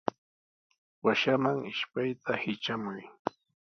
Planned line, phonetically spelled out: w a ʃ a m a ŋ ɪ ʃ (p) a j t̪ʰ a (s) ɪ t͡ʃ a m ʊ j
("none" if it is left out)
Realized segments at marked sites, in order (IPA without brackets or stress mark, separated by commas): p, h